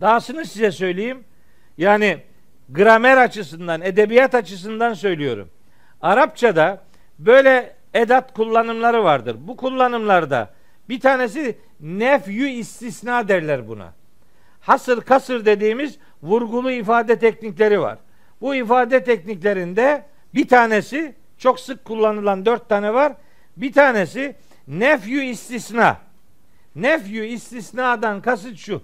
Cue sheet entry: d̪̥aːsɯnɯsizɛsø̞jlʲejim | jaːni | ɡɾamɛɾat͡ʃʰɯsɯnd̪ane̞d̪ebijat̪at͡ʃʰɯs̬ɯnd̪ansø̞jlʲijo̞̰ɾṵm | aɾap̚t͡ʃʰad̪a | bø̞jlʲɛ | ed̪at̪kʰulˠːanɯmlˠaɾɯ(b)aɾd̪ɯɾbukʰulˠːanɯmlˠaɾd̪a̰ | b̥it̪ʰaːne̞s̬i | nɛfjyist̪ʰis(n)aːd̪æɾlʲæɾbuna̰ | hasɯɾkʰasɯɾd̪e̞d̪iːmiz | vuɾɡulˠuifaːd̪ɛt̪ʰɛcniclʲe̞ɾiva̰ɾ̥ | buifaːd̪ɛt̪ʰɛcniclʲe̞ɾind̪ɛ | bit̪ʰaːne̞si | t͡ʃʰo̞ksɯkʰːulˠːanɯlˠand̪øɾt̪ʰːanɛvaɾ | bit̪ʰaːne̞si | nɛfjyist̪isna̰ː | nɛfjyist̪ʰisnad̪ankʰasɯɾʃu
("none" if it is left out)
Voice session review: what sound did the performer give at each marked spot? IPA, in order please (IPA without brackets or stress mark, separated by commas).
v, n